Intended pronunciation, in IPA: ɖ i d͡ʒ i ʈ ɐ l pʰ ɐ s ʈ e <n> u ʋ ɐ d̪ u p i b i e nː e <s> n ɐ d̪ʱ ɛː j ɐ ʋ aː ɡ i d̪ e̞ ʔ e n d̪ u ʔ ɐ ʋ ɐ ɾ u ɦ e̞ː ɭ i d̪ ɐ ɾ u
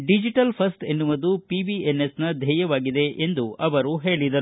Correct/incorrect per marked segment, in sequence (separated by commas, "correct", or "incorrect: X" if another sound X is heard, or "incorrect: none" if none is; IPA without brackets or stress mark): incorrect: nː, correct